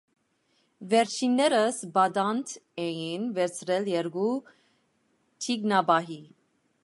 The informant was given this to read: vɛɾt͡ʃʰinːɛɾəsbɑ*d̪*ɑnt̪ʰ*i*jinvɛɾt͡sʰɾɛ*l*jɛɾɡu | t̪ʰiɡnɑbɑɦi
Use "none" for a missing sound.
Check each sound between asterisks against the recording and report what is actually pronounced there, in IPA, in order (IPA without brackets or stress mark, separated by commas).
d̪, ɛ, l